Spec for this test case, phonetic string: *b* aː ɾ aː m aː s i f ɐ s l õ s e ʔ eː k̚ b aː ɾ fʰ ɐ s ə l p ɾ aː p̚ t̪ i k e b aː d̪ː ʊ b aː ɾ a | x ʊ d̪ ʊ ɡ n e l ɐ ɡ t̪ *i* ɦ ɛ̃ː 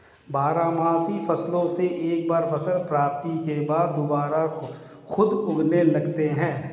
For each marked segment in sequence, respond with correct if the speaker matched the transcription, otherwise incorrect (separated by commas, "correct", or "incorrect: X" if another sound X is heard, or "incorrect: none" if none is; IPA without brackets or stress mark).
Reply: correct, incorrect: e